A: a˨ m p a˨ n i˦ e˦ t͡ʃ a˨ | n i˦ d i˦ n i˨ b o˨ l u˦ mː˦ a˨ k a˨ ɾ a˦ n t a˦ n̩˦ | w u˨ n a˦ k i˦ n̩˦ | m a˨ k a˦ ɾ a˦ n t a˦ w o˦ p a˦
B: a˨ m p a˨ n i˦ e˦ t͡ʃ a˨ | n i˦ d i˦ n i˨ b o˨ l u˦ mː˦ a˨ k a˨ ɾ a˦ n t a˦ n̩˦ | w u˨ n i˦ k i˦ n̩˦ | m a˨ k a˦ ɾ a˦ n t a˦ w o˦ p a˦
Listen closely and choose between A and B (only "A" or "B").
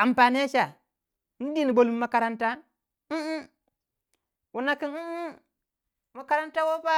A